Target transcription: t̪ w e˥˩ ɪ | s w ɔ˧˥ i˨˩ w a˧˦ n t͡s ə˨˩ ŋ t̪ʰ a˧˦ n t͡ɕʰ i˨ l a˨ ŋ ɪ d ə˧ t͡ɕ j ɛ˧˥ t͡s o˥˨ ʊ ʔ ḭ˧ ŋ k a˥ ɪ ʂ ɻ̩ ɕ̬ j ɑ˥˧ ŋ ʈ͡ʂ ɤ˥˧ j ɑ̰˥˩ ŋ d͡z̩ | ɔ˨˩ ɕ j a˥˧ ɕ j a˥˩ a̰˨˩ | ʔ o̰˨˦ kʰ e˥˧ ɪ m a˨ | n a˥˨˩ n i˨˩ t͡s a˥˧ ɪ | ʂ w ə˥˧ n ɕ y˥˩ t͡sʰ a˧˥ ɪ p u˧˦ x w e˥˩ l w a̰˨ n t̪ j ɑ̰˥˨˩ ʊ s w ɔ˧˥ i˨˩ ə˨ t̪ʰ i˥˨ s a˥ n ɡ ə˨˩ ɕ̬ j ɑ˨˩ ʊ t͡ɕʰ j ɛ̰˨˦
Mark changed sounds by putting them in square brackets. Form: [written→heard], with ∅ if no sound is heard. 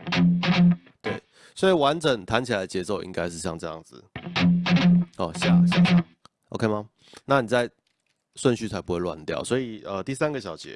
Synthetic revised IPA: t̪ w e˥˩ ɪ | s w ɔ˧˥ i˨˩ w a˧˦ n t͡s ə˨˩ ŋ t̪ʰ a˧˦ n t͡ɕʰ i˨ l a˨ [ŋ→∅] ɪ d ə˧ t͡ɕ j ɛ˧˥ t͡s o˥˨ ʊ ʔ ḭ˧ ŋ k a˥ ɪ ʂ ɻ̩ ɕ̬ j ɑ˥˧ ŋ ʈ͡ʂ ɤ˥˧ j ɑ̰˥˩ ŋ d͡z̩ | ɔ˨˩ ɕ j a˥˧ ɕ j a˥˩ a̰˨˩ | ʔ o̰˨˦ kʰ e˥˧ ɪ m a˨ | n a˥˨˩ n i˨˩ t͡s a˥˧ ɪ | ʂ w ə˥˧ n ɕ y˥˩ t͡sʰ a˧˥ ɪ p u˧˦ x w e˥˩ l w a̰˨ n t̪ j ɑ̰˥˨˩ ʊ s w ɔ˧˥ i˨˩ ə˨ [t̪ʰ→t̪] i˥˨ s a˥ n ɡ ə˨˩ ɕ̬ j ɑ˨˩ ʊ [t͡ɕʰ→t͡ɕ] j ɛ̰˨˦